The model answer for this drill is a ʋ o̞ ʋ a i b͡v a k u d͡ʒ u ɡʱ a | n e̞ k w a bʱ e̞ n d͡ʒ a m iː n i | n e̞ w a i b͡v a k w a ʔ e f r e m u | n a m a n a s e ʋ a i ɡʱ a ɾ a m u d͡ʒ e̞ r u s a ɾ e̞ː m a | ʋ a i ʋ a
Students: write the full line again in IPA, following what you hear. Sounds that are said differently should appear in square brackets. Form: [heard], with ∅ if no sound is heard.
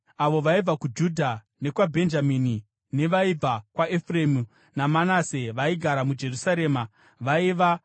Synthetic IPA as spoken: a ʋ o̞ ʋ a i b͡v a k u d͡ʒ u [dʱ] a | n e̞ k w a bʱ e̞ n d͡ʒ a m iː n i | n e̞ [ʋ] a i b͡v a k w a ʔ e f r e m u | n a m a n a s e ʋ a i ɡʱ a ɾ a m u d͡ʒ e̞ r u s a ɾ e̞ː m a | ʋ a i ʋ a